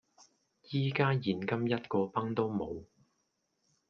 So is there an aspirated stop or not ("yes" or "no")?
no